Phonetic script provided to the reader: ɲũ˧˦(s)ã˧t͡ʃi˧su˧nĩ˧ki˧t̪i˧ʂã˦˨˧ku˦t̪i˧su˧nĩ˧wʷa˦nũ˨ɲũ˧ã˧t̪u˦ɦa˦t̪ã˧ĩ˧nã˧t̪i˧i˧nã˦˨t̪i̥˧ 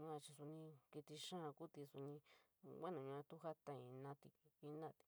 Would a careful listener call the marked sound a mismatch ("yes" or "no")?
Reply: yes